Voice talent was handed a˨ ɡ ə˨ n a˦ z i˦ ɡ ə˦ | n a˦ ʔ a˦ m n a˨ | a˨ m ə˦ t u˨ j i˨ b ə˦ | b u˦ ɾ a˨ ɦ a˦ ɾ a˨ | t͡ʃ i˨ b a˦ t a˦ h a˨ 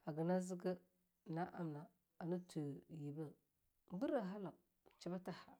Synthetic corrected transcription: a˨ ɡ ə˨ n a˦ z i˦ ɡ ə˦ | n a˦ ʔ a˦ m n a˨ | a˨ n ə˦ t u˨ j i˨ b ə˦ | b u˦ ɾ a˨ ɦ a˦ l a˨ | t͡ʃ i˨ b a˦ t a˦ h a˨